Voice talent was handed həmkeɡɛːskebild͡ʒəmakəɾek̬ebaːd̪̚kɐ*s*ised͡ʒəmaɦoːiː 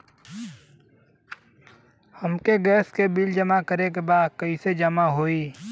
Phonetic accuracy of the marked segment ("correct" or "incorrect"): incorrect